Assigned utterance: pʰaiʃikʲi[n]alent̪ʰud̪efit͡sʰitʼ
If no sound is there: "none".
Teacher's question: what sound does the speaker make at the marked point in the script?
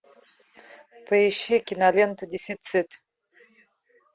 n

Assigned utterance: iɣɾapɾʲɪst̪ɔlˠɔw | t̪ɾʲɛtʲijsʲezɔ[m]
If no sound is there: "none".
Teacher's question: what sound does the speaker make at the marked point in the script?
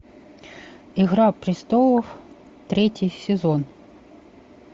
n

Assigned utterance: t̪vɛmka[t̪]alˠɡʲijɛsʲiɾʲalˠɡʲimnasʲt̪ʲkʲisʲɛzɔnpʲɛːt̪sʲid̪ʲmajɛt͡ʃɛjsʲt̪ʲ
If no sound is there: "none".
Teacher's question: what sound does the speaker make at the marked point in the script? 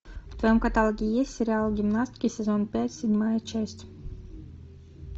t̪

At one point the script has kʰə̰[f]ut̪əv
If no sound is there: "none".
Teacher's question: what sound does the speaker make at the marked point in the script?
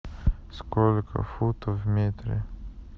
f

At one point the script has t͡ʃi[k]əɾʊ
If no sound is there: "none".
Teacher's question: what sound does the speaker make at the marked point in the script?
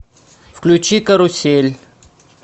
k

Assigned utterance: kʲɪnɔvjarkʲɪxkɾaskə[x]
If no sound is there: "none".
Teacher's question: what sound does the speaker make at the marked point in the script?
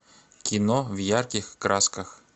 x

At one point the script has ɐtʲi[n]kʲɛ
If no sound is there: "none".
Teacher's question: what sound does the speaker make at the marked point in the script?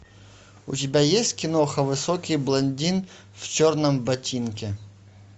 n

